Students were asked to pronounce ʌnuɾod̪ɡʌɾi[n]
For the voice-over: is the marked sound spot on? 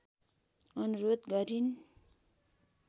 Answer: yes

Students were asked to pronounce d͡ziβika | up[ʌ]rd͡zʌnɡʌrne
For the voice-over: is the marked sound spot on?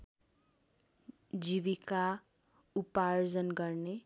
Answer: no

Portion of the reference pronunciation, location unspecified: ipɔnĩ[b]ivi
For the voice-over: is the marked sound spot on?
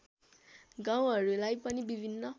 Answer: yes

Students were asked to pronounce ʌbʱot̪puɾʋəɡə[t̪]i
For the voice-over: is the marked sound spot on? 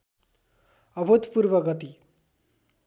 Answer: yes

